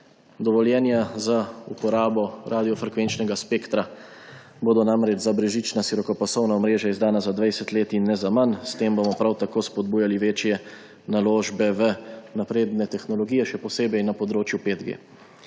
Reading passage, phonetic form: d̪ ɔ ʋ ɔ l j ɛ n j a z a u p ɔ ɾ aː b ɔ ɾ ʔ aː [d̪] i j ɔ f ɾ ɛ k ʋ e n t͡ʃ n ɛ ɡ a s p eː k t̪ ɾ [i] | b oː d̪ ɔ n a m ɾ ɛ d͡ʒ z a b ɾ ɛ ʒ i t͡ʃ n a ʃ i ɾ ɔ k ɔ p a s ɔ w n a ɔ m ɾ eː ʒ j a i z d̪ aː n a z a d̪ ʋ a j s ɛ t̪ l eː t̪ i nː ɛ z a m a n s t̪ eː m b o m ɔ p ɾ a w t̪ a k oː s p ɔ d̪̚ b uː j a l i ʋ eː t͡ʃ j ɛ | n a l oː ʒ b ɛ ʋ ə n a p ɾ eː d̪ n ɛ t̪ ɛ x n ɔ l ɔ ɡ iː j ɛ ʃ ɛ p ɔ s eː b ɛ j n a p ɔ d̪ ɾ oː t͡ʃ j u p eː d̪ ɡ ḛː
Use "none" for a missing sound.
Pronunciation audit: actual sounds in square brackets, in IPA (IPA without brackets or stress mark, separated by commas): d̪, a